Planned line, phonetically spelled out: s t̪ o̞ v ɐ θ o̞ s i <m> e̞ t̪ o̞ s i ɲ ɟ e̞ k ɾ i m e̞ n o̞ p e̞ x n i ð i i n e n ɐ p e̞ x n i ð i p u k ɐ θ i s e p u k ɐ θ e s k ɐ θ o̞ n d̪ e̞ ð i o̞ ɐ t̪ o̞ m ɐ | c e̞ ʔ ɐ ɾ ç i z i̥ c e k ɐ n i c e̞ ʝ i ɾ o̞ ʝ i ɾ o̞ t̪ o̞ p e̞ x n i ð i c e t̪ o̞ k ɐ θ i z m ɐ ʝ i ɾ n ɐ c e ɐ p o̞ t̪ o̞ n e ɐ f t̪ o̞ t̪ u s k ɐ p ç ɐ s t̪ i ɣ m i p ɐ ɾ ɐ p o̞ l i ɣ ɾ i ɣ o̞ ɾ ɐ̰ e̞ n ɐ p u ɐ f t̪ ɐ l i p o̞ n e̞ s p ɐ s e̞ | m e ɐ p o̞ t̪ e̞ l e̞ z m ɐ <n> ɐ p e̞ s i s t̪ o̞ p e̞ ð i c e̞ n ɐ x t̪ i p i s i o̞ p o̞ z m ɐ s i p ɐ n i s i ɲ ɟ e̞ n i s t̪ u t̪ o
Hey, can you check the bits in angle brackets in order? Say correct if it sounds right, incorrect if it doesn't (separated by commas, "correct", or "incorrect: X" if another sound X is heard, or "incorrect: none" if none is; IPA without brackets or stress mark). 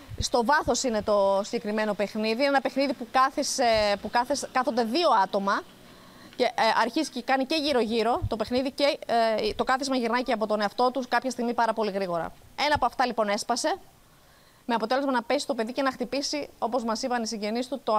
incorrect: n, correct